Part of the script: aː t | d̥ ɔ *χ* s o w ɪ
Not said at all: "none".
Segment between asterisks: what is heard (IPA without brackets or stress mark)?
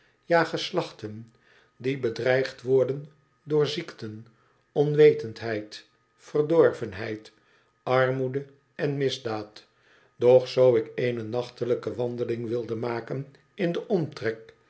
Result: χ